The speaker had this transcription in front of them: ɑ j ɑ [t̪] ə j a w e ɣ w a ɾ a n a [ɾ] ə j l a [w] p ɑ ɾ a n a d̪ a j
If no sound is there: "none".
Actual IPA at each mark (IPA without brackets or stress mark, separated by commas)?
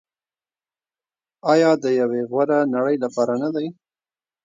d̪, ɽ, none